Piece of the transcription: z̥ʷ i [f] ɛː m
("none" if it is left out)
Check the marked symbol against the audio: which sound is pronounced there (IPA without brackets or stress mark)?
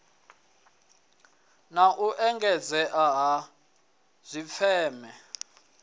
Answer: f